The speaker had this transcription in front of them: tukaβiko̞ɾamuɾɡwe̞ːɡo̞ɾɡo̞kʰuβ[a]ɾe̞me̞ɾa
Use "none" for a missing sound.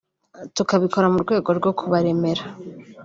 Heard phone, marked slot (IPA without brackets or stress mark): a